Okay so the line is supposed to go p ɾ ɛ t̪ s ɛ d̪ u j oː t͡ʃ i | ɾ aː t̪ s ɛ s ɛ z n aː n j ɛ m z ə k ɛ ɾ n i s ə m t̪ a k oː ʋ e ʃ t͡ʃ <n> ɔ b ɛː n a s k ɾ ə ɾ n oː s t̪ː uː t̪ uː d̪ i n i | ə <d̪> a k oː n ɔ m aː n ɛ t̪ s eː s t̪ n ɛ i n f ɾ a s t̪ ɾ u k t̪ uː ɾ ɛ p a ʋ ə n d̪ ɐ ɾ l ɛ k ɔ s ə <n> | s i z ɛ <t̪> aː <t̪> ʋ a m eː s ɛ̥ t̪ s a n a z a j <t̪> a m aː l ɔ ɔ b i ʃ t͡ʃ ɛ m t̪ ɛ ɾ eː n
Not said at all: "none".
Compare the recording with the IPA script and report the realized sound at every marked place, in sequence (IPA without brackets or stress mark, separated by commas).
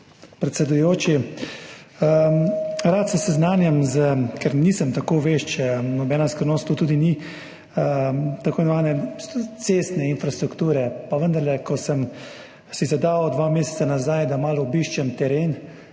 n, t̪, m, d̪, d̪, d̪